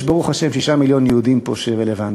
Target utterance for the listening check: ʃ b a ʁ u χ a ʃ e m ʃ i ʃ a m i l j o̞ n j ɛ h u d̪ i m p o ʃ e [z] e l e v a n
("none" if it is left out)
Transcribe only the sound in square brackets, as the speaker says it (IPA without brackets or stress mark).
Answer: ʁ